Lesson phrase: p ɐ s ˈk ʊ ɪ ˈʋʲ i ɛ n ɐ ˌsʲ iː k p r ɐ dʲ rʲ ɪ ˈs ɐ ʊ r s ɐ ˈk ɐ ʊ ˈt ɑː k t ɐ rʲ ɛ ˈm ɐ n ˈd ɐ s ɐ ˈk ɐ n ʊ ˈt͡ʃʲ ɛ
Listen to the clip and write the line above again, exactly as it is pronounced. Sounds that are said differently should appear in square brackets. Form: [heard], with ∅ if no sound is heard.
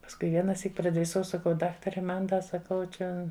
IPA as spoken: p ɐ s ˈk ʊ ɪ ˈʋʲ i ɛ n ɐ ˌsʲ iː k p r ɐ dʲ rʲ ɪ ˈs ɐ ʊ [∅] s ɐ ˈk ɐ ʊ [ˈd] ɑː k t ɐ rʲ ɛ ˈm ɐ n ˈd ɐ s ɐ ˈk ɐ [∅] ʊ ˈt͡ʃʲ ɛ